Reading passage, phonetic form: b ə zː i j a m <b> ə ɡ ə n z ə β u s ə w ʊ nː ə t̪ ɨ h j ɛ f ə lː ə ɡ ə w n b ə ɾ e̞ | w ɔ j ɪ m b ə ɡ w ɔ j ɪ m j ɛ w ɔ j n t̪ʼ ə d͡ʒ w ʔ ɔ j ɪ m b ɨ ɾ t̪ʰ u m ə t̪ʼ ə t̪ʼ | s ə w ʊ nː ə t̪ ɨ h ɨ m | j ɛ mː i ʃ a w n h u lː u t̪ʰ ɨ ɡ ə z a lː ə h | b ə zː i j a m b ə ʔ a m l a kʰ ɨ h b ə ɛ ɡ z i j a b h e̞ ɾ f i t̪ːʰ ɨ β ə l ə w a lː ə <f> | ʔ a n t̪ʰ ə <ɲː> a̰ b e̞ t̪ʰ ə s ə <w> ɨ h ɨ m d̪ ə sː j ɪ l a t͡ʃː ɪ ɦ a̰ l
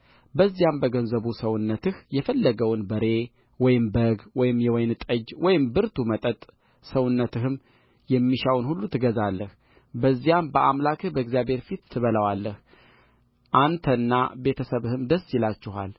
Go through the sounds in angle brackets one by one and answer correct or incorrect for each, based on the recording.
correct, incorrect, incorrect, incorrect

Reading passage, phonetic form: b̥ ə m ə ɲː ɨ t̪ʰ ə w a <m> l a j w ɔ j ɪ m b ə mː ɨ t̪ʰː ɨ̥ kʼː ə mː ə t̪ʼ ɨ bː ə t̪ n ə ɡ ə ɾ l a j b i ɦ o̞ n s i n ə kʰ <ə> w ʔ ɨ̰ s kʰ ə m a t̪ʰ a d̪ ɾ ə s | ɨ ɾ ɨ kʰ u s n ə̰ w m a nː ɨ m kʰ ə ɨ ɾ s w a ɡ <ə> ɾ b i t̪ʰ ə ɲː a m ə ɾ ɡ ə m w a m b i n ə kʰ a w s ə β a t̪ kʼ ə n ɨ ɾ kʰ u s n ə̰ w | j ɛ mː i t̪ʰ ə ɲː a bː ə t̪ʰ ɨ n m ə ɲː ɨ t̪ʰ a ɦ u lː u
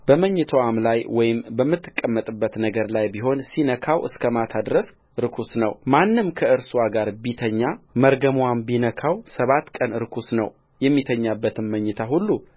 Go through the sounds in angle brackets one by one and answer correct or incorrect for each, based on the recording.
correct, incorrect, incorrect

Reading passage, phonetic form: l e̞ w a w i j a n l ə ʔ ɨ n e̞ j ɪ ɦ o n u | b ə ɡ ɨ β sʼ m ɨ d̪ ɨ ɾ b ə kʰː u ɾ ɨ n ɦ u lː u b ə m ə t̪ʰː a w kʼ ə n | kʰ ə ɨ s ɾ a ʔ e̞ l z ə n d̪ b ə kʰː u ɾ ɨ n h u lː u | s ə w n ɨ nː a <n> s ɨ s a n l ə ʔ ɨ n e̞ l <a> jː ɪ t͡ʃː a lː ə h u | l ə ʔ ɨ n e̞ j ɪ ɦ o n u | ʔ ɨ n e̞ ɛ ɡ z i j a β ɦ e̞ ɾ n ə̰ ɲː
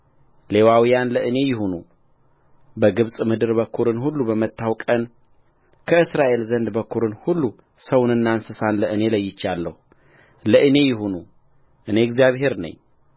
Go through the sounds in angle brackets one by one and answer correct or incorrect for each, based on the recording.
correct, incorrect

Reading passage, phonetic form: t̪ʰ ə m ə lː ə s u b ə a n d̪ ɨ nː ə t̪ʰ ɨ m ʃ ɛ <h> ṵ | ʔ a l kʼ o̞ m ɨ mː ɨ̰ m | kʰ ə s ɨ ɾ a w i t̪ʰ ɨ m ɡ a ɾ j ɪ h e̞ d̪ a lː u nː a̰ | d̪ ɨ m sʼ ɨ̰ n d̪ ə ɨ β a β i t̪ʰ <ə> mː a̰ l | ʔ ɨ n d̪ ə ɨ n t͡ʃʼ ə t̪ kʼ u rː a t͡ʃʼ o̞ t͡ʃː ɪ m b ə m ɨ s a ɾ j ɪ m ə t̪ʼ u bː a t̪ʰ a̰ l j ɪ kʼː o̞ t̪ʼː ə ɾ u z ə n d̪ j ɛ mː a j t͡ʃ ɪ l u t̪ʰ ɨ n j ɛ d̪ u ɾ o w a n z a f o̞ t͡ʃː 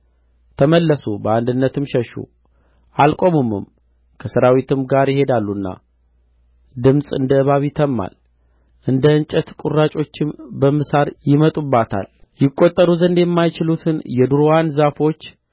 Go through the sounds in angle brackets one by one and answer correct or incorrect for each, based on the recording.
incorrect, correct

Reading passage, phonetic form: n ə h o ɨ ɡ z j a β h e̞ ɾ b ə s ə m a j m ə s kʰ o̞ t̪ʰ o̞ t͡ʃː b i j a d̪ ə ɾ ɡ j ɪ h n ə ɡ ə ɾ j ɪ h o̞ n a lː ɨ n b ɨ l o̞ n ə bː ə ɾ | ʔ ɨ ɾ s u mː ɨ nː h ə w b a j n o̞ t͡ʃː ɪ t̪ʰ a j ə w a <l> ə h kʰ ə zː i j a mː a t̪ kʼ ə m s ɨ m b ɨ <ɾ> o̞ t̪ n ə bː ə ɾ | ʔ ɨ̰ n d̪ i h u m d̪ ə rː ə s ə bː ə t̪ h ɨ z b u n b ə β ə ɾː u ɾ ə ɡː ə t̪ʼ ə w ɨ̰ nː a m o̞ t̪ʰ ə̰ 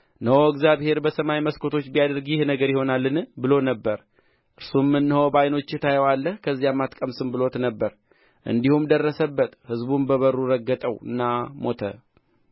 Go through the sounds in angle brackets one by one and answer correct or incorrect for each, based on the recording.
incorrect, incorrect

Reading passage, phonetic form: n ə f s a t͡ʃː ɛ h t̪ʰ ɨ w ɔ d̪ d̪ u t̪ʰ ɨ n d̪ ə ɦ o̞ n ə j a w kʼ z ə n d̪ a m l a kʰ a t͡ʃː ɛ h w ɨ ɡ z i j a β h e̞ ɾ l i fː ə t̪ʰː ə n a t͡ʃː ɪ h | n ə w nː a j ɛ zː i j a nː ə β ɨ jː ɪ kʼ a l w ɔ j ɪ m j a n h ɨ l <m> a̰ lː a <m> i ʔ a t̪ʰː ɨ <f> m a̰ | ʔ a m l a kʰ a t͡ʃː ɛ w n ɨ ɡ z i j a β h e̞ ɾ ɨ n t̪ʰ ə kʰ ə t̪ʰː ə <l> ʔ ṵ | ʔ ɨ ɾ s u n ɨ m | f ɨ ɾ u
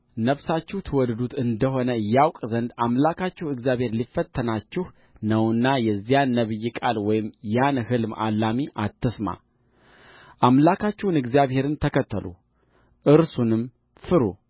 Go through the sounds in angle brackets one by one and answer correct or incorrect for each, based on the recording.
correct, correct, incorrect, correct

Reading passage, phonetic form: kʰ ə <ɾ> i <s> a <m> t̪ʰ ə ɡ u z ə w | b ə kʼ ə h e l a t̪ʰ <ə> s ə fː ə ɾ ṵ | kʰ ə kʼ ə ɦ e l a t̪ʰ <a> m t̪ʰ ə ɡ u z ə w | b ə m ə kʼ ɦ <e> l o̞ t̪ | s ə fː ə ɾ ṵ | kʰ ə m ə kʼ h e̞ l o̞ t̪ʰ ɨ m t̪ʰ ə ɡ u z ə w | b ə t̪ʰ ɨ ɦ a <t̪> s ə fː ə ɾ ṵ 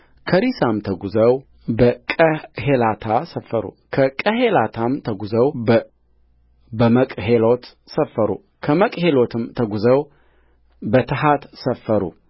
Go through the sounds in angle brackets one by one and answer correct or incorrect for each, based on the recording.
correct, correct, correct, incorrect, correct, correct, correct

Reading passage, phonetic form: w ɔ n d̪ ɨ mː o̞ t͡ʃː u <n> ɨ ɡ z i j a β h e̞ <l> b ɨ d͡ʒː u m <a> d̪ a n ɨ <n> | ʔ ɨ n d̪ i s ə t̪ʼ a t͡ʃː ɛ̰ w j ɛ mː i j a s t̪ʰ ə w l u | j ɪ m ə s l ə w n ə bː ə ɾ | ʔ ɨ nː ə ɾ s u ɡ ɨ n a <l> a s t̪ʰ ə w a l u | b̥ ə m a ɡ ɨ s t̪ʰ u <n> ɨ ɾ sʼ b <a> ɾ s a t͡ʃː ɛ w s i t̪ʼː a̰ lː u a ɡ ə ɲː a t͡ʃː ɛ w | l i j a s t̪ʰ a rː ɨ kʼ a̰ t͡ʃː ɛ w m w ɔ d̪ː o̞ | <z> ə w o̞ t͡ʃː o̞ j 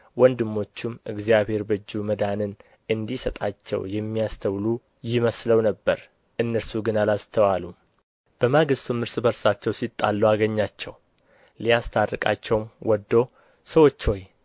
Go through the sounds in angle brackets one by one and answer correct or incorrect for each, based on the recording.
incorrect, incorrect, incorrect, correct, correct, incorrect, incorrect, incorrect

